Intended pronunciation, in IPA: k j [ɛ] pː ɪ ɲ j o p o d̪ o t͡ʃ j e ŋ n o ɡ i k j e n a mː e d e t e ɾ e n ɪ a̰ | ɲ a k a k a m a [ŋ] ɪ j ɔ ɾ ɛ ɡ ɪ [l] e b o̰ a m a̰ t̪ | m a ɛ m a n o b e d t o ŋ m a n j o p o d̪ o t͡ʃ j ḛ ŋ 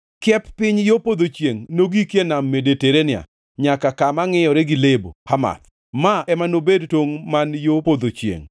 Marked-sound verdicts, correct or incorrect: correct, correct, correct

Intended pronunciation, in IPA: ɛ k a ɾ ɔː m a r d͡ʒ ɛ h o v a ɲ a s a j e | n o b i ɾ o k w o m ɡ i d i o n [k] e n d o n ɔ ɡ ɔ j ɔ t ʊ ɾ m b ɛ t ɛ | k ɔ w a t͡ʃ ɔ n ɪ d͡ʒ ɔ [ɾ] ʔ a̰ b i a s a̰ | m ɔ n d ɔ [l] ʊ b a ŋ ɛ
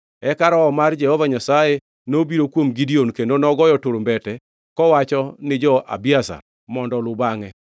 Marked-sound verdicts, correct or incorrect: correct, incorrect, correct

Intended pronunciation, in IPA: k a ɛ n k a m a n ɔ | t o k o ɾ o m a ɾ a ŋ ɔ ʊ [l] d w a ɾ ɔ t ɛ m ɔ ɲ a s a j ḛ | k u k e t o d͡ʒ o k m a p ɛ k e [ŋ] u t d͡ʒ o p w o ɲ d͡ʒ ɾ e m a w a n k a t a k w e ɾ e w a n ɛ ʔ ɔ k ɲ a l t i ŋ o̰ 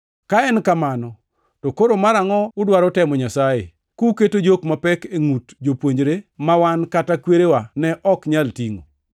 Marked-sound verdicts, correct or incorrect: incorrect, correct

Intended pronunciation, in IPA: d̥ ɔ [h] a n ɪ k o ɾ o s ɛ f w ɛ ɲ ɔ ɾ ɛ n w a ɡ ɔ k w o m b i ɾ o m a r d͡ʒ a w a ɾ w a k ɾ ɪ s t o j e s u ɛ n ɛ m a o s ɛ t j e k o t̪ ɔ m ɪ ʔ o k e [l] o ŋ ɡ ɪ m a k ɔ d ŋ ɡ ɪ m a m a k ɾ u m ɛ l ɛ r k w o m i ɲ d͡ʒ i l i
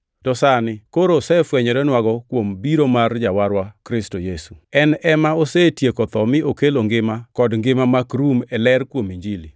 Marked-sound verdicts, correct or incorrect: incorrect, correct

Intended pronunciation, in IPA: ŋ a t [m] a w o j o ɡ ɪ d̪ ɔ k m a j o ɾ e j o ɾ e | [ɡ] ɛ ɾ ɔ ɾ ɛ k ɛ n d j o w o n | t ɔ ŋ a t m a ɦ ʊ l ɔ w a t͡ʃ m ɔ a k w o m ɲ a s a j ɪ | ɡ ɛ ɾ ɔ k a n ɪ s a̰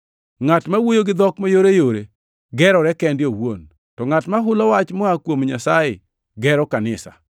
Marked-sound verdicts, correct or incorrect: correct, correct

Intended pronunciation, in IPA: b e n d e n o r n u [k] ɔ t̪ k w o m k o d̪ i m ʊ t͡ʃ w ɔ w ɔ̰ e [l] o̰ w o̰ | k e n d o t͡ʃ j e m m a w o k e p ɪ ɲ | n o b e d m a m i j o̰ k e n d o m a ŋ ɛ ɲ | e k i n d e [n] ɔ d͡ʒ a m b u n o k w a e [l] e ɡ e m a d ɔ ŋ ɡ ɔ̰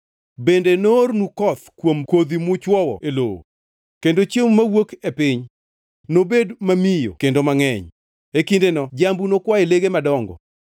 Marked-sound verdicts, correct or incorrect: correct, correct, correct, correct

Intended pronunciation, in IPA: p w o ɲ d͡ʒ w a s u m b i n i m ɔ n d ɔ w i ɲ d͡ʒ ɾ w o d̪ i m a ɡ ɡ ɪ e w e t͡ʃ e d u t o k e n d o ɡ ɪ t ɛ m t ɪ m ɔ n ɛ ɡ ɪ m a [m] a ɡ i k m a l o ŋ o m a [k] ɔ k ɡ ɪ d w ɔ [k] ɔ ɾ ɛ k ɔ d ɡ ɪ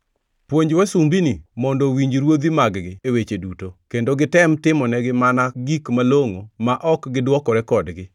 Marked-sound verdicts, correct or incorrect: incorrect, incorrect, correct

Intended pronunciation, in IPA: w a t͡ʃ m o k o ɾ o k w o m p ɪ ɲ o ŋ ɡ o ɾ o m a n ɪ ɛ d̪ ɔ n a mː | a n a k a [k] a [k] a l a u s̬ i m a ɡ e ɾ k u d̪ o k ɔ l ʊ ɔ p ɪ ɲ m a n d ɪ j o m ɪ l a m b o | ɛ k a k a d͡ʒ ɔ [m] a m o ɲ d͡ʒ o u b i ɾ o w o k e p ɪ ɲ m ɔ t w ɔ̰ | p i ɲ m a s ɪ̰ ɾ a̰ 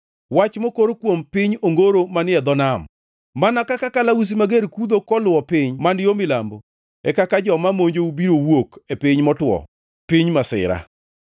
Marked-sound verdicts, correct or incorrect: correct, correct, correct

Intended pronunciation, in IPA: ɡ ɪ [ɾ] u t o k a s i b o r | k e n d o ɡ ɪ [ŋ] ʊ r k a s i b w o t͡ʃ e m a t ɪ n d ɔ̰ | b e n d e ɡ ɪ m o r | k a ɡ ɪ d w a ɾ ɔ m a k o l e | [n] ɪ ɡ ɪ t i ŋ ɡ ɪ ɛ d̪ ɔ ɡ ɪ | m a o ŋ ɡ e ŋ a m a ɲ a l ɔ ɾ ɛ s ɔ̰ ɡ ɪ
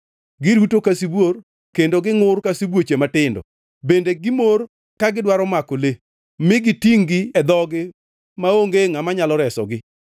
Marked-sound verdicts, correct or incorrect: correct, correct, incorrect

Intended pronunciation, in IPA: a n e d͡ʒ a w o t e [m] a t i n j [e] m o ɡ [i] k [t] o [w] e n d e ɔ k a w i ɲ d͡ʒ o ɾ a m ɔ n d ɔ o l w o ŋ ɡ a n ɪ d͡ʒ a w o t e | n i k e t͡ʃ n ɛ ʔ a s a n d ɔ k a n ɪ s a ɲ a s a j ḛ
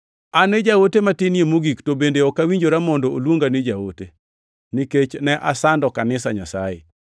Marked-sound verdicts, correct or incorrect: correct, correct, correct, correct, incorrect

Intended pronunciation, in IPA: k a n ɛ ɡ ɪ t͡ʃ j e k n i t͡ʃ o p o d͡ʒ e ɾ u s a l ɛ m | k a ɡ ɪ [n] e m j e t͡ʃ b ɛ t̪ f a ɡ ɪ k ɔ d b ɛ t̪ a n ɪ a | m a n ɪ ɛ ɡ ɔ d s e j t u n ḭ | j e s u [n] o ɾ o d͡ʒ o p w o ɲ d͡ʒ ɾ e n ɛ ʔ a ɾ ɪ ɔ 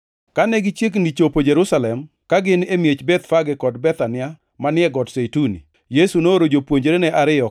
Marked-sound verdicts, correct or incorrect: correct, correct

